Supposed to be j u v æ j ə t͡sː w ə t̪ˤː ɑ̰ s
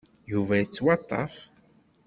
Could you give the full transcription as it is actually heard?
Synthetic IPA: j u v æ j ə t͡sː w ɑ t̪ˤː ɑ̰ f